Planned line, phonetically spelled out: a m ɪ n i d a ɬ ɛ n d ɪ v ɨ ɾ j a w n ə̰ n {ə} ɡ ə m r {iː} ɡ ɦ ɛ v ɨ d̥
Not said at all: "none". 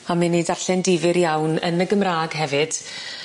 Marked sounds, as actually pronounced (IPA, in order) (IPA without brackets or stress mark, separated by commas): ə, aː